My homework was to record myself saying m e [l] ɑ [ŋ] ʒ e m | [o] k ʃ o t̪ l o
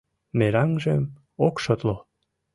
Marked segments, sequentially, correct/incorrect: incorrect, correct, correct

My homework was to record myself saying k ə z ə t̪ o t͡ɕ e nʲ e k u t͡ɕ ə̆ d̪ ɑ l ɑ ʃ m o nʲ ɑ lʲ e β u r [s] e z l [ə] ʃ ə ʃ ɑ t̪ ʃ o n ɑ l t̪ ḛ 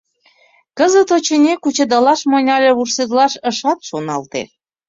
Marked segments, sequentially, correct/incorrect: correct, incorrect

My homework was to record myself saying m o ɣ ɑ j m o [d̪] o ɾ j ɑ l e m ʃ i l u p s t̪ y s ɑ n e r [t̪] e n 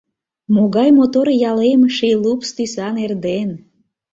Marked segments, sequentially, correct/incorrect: incorrect, incorrect

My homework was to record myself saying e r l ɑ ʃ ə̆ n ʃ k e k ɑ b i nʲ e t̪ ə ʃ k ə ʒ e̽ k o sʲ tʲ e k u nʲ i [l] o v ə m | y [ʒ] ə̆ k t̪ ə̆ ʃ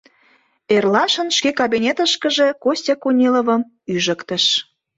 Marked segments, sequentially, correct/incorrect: correct, correct

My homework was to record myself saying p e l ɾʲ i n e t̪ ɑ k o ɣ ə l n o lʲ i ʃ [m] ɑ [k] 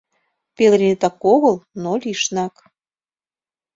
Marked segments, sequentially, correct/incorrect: incorrect, correct

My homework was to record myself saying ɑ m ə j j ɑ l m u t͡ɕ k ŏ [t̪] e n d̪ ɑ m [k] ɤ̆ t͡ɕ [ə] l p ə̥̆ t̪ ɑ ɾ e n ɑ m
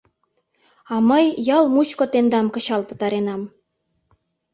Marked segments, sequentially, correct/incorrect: correct, correct, incorrect

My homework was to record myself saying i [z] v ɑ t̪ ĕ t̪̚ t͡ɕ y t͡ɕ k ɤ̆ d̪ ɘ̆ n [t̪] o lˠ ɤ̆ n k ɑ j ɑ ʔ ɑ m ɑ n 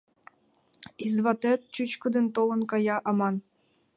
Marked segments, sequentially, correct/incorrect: correct, correct

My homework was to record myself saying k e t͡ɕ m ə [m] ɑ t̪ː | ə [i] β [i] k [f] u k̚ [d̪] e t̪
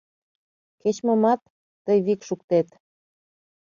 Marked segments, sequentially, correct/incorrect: correct, incorrect, correct, incorrect, incorrect

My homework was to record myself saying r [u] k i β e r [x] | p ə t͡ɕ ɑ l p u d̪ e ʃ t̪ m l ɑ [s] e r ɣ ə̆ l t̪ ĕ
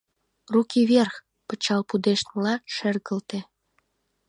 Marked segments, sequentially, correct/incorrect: correct, correct, incorrect

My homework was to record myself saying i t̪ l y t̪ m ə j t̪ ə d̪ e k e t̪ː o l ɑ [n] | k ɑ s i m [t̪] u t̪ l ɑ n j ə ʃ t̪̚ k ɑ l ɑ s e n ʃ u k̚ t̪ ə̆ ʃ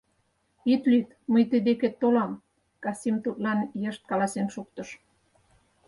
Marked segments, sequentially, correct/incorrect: incorrect, correct

